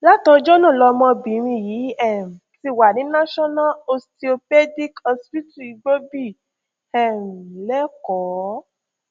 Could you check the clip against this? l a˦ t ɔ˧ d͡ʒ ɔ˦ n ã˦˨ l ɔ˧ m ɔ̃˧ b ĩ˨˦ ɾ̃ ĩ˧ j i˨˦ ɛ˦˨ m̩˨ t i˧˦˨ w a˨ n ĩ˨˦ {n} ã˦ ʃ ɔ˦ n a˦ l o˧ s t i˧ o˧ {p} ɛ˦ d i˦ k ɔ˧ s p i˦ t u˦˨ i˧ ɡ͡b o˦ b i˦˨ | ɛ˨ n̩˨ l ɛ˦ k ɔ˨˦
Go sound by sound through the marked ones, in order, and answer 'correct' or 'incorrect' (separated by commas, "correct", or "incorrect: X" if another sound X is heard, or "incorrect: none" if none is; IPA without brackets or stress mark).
correct, correct